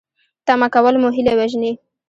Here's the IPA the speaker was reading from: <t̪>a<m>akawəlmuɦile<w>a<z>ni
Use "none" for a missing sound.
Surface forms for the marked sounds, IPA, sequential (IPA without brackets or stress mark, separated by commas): t̪, m, w, ʒ